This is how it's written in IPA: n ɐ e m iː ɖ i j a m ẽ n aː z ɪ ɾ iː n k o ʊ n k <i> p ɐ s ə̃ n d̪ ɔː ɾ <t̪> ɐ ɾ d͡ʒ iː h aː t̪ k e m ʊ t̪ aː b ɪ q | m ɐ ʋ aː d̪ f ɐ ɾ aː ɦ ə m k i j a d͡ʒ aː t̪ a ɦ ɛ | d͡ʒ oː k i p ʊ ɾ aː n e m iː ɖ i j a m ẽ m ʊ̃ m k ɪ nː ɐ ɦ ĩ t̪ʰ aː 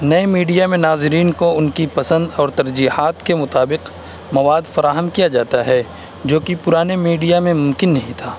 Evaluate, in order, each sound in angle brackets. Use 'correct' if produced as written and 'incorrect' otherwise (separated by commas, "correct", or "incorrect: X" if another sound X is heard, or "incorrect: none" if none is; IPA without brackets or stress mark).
correct, correct